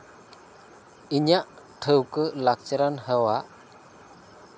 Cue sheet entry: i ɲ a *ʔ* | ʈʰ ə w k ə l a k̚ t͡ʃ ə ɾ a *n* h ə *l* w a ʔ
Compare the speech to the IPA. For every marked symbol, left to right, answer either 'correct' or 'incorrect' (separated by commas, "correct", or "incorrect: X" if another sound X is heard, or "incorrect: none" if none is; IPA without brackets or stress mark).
correct, correct, incorrect: none